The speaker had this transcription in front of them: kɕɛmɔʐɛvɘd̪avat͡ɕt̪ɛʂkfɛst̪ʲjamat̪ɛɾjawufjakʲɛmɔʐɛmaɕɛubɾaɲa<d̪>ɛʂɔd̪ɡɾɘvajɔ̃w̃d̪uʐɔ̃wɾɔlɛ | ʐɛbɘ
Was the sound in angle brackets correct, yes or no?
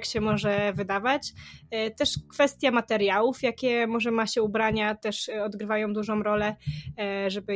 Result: no